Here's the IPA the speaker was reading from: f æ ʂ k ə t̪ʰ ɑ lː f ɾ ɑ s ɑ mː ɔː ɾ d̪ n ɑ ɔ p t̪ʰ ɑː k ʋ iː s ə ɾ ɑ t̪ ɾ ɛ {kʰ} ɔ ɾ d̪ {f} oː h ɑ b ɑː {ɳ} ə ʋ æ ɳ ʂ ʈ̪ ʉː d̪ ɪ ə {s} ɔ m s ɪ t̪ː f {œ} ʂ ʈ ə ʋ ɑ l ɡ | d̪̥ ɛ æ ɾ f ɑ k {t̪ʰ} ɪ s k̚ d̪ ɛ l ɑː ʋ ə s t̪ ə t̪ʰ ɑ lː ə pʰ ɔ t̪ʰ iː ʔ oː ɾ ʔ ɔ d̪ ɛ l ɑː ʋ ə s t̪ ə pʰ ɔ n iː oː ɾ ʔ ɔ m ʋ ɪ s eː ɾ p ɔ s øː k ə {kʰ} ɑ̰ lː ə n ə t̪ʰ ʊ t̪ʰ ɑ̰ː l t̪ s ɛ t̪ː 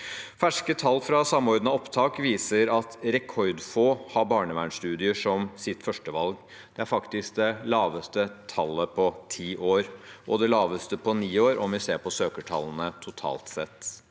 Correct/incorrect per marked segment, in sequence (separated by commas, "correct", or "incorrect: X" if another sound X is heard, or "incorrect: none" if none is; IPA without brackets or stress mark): correct, correct, correct, incorrect: ʂ, correct, incorrect: t̪, incorrect: ʈʰ